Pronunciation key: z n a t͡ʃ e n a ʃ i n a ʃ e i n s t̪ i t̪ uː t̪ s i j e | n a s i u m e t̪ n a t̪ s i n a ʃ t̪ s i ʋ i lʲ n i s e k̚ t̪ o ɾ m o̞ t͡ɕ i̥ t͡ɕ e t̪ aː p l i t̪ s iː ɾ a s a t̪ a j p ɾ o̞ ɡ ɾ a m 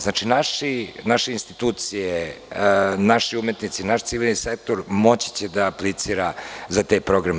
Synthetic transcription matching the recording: z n a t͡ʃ i n a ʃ i n a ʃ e i n s t̪ i t̪ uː t̪ s i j e | n a ʃ i u m e t̪ n i t̪ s i n a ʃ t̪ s i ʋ i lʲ n i s e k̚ t̪ o ɾ m o̞ t͡ɕ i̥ t͡ɕ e d̪ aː p l i t̪ s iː ɾ a z a t̪ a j p ɾ o̞ ɡ ɾ a m